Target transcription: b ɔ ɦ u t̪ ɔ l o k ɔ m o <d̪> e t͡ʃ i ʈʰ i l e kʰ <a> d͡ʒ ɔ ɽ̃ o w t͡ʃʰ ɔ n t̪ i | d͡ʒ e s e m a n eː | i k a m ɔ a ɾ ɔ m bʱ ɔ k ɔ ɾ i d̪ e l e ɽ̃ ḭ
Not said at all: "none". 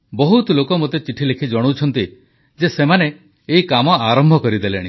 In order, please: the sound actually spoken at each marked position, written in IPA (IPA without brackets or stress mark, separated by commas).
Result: t̪, i